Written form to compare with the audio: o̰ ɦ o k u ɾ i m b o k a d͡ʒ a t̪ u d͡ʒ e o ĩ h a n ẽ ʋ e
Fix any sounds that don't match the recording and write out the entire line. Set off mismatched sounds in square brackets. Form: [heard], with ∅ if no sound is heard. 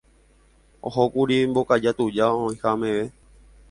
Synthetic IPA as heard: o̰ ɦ o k u ɾ i m b o k a d͡ʒ a t̪ u d͡ʒ [a] o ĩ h a [m] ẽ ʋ e